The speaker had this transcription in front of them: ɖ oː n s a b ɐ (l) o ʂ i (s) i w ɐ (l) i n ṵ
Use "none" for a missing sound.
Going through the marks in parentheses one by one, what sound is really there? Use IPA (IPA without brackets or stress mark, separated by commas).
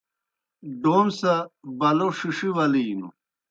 l, ʂ, l